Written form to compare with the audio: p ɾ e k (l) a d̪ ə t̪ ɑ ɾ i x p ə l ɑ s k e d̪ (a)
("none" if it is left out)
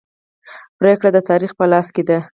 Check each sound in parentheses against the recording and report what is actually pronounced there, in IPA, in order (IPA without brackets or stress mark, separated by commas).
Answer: ɽ, a